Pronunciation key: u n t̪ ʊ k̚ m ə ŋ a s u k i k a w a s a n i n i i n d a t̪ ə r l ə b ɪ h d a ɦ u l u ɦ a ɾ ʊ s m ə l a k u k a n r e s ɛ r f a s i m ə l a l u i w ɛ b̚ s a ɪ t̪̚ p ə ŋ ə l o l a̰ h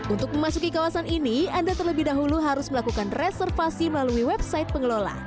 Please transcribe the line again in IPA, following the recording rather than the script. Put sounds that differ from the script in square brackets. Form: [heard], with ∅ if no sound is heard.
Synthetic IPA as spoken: u n t̪ ʊ k̚ m ə [m] a s u k i k a w a s a n i n i [a] n d a t̪ ə r l ə b ɪ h d a ɦ u l u ɦ a ɾ ʊ s m ə l a k u k a n r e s ɛ r f a s i m ə l a l u i w ɛ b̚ s a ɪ t̪̚ p ə ŋ ə l o l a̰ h